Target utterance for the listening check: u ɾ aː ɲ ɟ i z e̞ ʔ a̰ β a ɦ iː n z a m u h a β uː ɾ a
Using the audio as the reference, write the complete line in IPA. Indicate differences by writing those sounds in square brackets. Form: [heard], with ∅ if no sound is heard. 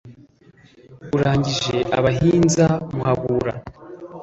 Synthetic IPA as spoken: u ɾ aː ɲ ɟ i [ʒ] e̞ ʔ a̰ β a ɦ iː n z a m u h a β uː ɾ a